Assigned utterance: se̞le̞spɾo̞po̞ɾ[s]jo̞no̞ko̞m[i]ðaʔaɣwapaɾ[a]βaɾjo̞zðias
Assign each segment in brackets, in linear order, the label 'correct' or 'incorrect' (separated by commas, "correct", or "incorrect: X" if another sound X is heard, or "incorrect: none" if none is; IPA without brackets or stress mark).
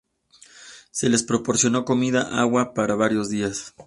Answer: correct, correct, correct